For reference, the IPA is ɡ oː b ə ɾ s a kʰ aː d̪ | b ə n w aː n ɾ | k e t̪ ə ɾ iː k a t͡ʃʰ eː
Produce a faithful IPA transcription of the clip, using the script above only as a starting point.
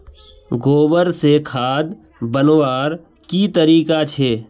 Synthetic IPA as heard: ɡ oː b ə ɾ s e kʰ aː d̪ | b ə n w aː ɾ | k i t̪ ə ɾ iː k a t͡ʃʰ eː